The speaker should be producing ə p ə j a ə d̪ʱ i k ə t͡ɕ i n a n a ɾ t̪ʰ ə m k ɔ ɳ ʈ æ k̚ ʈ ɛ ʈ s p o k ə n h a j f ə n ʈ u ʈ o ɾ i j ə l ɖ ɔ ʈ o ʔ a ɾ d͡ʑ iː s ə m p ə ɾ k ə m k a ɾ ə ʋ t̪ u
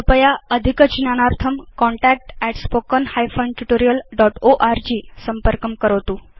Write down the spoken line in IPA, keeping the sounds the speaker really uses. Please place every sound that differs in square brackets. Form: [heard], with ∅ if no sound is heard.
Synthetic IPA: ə p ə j a ə d̪ʱ i k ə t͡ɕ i n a n a ɾ t̪ʰ ə m k ɔ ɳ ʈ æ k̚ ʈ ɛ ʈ s p o k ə n h a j f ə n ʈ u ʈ o ɾ i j ə l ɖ ɔ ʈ o ʔ a ɾ d͡ʑ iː s ə m p ə ɾ k ə m k [ə] ɾ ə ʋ t̪ u

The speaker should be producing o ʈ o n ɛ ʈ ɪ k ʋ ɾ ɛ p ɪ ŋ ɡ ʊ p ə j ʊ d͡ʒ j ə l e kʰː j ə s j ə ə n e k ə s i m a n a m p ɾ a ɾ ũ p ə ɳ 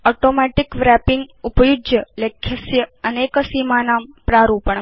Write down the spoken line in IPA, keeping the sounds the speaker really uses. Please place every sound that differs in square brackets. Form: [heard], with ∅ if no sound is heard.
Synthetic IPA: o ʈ o [m] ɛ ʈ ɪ k ʋ ɾ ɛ p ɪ ŋ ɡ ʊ p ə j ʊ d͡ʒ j ə l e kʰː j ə s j ə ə n e k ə s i m a n a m p ɾ a ɾ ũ p ə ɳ

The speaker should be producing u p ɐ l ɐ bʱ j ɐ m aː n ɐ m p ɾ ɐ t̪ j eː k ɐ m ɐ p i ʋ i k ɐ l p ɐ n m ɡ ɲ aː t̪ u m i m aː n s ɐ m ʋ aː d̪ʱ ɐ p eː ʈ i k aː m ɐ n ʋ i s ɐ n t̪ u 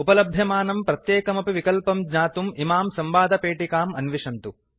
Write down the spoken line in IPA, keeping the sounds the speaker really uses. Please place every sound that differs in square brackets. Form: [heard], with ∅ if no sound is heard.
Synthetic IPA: u p ɐ l ɐ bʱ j ɐ m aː n ɐ m p ɾ ɐ t̪ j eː k ɐ m ɐ p i ʋ i k ɐ l p ɐ [∅] m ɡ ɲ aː t̪ u m i m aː [m] s ɐ m ʋ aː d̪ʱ ɐ p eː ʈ i k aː m ɐ n ʋ i [ʂ] ɐ n t̪ u

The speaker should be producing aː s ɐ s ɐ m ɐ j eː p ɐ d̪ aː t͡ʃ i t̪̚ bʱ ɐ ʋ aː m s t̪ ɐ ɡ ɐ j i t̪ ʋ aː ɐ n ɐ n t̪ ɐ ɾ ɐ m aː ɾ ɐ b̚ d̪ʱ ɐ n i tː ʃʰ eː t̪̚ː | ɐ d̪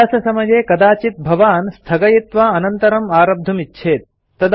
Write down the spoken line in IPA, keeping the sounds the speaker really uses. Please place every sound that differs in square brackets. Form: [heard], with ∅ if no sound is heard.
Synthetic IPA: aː s ɐ s ɐ m ɐ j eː [k] ɐ d̪ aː t͡ʃ i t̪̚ bʱ ɐ ʋ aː [n] s [t̪ʰ] ɐ ɡ ɐ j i t̪ ʋ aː ɐ n ɐ n t̪ ɐ ɾ ɐ m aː ɾ ɐ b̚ d̪ʱ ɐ [m] i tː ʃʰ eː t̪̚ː | ɐ d̪

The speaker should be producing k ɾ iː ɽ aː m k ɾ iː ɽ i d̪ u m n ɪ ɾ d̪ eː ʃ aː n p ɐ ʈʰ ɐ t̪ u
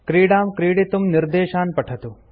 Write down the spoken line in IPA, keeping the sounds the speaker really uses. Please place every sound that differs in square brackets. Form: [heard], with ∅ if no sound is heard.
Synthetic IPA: k ɾ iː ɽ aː m k ɾ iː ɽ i [t̪] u m n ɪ ɾ d̪ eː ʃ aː n p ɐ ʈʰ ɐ t̪ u

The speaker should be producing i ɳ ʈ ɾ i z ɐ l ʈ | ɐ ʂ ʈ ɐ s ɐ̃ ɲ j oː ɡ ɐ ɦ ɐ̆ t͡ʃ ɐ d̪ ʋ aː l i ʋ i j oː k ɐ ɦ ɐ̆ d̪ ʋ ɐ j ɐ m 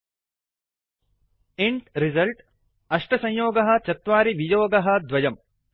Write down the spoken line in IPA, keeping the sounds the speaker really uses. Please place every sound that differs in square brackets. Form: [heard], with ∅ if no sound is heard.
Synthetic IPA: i ɳ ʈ ɾ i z ɐ l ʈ | ɐ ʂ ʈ ɐ s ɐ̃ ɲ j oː ɡ ɐ ɦ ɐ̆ t͡ʃ ɐ [t̪] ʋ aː [ɾ] i ʋ i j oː [ɡ] ɐ ɦ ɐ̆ d̪ ʋ ɐ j ɐ m

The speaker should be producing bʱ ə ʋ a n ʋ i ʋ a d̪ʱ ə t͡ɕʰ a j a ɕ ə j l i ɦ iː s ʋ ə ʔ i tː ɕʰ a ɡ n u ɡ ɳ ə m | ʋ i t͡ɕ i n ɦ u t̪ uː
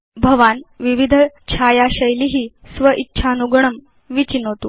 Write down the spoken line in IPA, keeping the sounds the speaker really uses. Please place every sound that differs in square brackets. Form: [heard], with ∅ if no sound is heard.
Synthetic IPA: bʱ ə ʋ a n ʋ i ʋ [i] d̪ʱ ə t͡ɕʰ a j a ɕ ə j l i ɦ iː s ʋ ə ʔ i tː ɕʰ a [∅] n u ɡ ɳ ə m | ʋ i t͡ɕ i n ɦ [o] t̪ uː

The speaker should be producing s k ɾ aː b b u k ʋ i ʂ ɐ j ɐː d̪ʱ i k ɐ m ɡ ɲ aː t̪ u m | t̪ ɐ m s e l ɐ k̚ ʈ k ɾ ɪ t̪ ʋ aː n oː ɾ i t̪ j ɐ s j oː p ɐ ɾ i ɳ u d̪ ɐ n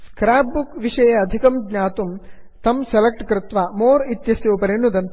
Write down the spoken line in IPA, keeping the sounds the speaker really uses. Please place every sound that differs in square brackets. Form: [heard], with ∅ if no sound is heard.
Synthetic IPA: s k ɾ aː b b u k ʋ i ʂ ɐ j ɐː d̪ʱ i k ɐ m ɡ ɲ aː t̪ u m | t̪ ɐ m s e l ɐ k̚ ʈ k ɾ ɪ t̪ ʋ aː [m] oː ɾ i t̪ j ɐ s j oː p ɐ ɾ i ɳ u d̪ ɐ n

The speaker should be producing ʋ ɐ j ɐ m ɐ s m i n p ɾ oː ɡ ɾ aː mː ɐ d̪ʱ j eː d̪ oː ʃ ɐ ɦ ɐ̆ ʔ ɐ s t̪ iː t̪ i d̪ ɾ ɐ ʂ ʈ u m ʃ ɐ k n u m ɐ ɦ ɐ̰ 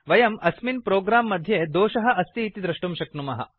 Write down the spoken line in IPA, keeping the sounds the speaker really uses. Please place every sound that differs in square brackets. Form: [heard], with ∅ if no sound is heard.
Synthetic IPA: ʋ ɐ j ɐ m ɐ s m i n p ɾ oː ɡ ɾ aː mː ɐ d̪ʱ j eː d̪ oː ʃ ɐ ɦ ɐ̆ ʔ ɐ s t̪ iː t̪ i d̪ ɾ ɐ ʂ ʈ u m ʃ ɐ k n u m ɐ ɦ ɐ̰

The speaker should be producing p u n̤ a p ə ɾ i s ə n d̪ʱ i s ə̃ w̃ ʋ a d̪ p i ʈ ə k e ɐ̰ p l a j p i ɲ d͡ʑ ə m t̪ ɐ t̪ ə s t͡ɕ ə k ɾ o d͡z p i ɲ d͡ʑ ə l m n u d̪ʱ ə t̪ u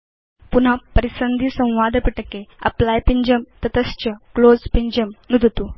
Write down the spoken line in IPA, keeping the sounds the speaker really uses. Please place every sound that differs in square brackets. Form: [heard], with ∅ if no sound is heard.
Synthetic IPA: p u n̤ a p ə ɾ i s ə n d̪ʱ i s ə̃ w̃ ʋ a d̪ p i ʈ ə k e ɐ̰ p l a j p i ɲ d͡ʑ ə m t̪ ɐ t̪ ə s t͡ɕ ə k [l] o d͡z p i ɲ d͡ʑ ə [∅] m n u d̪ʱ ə t̪ u

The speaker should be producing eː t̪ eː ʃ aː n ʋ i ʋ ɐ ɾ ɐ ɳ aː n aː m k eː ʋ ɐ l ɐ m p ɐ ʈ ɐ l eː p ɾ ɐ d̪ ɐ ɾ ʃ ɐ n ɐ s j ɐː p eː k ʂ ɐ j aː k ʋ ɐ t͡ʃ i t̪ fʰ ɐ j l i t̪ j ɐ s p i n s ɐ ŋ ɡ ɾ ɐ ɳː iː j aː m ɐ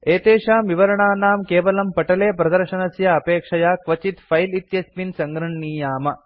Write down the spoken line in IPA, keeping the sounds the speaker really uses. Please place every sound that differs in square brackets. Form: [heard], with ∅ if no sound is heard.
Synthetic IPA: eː t̪ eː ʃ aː [m] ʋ i ʋ ɐ ɾ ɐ ɳ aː n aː m k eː ʋ ɐ l ɐ m p ɐ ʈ ɐ l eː p ɾ ɐ d̪ ɐ ɾ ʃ ɐ n ɐ s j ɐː p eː k ʂ ɐ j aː k ʋ ɐ t͡ʃ i t̪ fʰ ɐ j l i t̪ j ɐ s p i n s ɐ ŋ ɡ ɾ ɐ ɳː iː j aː m ɐ

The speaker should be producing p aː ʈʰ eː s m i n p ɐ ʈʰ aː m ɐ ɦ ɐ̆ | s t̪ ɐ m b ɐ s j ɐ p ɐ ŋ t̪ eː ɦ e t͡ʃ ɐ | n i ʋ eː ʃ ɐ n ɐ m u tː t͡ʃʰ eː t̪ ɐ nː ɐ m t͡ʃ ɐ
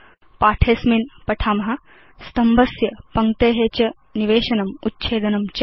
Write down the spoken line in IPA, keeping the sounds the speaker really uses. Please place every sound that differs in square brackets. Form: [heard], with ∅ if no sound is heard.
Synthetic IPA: p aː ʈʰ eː s m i n p ɐ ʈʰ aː m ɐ ɦ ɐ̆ | s t̪ ɐ m b ɐ s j ɐ p ɐ ŋ t̪ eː ɦ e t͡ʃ ɐ | n i ʋ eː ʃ ɐ n ɐ m u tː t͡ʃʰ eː [d̪] ɐ [n] ɐ m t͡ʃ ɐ

